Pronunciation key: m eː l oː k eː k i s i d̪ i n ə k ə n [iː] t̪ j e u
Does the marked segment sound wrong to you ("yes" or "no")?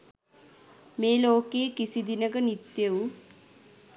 yes